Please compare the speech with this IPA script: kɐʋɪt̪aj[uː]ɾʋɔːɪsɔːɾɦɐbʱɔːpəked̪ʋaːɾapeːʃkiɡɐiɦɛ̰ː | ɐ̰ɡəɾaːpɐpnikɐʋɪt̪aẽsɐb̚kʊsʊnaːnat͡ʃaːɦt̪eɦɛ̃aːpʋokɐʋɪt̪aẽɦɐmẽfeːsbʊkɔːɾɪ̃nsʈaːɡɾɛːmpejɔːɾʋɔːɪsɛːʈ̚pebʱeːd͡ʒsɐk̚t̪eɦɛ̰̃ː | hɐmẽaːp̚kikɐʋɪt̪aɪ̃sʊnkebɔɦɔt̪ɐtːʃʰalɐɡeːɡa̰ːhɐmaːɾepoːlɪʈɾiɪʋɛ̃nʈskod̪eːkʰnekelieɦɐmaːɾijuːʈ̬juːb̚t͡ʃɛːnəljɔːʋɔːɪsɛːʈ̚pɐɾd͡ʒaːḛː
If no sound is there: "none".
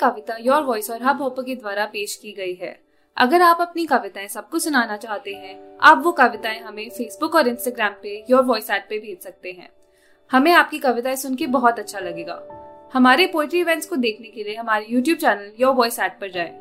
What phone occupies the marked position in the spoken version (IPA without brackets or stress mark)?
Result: ɔː